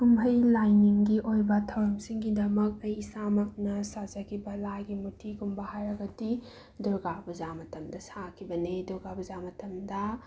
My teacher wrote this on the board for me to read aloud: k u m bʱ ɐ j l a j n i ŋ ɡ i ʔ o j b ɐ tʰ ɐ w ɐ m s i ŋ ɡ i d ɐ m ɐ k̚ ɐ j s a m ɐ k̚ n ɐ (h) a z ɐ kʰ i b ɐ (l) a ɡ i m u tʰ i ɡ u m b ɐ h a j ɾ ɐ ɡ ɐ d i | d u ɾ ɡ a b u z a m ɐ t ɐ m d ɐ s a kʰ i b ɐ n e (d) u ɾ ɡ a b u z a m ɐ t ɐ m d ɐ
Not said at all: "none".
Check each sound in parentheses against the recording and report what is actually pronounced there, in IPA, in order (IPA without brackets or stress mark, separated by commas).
s, l, d